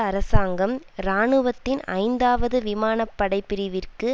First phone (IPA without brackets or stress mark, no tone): ɐ